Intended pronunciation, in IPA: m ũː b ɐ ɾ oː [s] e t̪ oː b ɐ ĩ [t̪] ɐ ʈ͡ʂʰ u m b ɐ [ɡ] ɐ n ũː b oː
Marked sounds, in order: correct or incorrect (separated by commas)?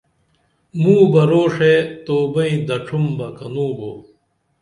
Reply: incorrect, incorrect, incorrect